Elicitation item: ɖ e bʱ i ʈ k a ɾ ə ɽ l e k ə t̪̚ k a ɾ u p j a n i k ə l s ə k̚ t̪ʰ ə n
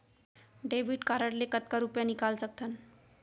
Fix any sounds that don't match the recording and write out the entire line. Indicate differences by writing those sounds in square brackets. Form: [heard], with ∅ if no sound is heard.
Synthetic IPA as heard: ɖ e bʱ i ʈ k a ɾ ə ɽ l e k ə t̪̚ k a ɾ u p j a n i k [a] l s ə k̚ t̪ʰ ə n